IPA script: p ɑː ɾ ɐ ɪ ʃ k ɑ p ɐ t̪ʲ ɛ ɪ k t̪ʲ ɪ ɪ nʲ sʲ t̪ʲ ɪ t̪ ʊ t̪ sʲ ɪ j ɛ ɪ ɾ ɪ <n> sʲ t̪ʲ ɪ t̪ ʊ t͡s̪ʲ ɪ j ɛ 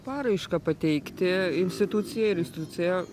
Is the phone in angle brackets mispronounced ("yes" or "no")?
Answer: no